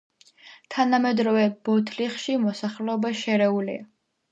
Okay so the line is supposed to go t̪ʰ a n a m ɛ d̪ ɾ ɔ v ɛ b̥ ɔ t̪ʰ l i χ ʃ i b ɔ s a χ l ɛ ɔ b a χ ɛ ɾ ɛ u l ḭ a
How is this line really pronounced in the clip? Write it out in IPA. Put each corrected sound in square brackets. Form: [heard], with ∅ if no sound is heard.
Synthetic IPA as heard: t̪ʰ a n a m ɛ d̪ ɾ ɔ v ɛ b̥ ɔ t̪ʰ l i χ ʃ i [m] ɔ s a χ l ɛ ɔ b a [ʃ] ɛ ɾ ɛ u l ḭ a